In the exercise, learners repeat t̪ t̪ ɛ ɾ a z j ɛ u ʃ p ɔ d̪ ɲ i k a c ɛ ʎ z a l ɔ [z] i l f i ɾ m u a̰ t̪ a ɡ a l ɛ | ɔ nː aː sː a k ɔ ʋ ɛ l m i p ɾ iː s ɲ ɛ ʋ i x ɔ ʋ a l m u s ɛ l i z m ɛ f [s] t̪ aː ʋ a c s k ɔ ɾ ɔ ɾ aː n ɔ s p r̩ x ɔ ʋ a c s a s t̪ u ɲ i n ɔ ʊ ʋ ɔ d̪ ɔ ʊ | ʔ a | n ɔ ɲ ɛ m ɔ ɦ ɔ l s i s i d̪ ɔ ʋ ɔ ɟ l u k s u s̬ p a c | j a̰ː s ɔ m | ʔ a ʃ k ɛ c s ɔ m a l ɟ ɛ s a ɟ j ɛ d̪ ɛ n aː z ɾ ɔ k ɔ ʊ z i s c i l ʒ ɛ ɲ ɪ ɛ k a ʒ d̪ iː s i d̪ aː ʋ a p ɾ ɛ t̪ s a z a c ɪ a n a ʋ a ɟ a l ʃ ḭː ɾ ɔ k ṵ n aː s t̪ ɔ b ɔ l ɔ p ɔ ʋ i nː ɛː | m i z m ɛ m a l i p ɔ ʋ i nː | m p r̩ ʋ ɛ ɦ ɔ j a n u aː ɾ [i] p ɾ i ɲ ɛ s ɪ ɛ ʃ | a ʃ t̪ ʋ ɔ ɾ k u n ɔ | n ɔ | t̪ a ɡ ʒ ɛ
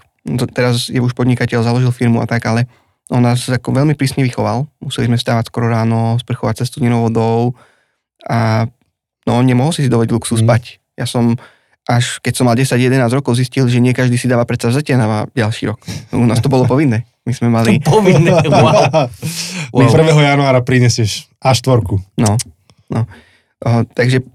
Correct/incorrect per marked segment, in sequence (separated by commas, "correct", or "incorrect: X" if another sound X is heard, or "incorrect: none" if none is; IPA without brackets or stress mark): incorrect: ʒ, correct, incorrect: a